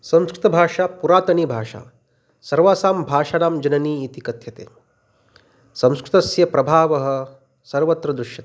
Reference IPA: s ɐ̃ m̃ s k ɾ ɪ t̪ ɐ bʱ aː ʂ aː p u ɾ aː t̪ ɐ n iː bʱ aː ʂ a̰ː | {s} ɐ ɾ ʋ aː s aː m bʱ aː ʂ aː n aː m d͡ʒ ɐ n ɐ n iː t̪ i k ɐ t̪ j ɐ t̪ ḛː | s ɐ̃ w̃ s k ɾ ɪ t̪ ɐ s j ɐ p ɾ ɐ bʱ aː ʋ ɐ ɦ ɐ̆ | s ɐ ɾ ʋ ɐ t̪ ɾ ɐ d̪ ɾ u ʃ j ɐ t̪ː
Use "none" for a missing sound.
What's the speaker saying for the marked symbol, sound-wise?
s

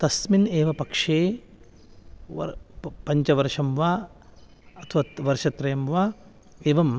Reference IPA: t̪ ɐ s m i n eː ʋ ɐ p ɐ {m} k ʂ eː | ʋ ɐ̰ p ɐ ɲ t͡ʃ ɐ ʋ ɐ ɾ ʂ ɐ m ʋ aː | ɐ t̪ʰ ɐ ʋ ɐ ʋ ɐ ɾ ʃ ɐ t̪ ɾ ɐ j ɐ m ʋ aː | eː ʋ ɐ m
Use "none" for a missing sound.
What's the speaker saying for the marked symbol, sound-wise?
none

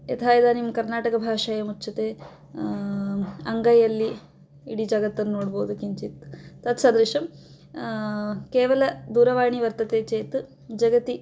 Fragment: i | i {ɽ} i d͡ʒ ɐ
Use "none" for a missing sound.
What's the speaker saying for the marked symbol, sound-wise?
ɽ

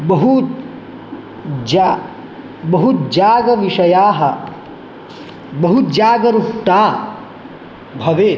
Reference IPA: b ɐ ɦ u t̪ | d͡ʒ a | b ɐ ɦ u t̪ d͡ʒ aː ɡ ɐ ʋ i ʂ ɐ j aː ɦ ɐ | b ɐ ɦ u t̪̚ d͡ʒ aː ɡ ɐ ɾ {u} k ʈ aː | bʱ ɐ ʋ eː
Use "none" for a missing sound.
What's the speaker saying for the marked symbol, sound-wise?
u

